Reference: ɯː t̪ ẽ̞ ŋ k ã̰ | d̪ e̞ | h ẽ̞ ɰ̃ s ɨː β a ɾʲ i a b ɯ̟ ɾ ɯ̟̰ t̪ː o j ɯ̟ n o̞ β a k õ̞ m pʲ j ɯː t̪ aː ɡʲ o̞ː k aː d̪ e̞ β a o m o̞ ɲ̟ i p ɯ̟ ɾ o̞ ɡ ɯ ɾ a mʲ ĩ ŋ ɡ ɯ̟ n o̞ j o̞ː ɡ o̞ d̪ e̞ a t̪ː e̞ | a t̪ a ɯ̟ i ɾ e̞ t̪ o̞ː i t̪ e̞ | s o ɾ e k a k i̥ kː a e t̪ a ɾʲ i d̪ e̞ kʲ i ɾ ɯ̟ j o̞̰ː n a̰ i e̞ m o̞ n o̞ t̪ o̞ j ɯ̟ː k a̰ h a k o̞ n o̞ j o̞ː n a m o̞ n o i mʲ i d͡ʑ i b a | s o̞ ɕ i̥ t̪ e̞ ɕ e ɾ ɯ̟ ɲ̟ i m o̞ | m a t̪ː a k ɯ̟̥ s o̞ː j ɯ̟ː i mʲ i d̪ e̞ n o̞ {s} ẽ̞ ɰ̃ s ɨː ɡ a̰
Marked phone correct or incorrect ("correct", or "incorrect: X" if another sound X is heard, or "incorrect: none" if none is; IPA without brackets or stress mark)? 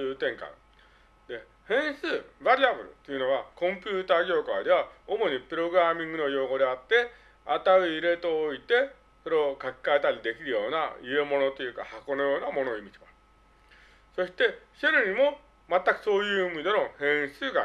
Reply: incorrect: h